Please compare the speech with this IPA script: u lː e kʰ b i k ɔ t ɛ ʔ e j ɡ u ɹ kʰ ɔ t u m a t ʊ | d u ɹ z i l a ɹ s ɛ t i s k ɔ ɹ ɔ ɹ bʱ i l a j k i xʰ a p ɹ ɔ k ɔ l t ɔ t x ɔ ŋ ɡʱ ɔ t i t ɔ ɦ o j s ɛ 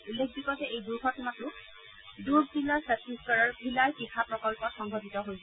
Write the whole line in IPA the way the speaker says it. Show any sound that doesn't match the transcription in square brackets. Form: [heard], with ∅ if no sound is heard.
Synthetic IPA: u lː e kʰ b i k ɔ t ɛ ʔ e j [d] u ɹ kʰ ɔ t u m a t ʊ | d u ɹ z i l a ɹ s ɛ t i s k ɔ ɹ ɔ ɹ bʱ i l a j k i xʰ a p ɹ ɔ k ɔ l [p] ɔ t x ɔ ŋ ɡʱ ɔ t i t ɔ ɦ o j s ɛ